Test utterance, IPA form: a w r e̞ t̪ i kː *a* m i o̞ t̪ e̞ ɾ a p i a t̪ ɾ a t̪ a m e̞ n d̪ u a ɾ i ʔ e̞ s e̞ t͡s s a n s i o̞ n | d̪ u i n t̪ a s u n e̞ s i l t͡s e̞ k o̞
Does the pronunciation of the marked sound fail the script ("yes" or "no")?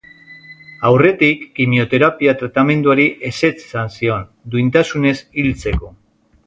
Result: yes